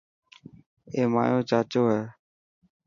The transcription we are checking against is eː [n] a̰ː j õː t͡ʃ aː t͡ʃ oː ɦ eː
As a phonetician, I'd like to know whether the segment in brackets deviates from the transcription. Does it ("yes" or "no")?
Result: yes